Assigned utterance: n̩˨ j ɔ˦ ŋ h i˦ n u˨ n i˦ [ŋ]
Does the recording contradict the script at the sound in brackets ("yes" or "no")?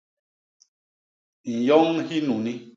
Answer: yes